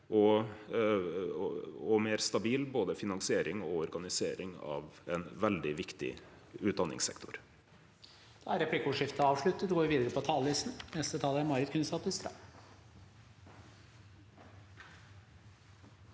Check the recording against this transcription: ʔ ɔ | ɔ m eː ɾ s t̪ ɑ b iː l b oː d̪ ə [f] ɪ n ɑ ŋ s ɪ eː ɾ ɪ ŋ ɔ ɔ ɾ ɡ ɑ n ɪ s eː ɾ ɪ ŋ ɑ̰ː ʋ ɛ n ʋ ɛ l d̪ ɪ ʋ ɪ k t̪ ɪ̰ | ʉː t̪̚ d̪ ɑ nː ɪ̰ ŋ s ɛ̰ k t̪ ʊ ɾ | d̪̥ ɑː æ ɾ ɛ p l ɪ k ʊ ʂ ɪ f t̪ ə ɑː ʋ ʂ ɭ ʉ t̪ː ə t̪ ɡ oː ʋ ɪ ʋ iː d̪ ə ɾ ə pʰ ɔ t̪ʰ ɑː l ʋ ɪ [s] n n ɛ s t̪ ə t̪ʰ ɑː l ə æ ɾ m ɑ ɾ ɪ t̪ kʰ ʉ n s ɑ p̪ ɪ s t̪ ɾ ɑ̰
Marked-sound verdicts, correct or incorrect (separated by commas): correct, correct